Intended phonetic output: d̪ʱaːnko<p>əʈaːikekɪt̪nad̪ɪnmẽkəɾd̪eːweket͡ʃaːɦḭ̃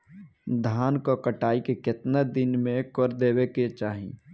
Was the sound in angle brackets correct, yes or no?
no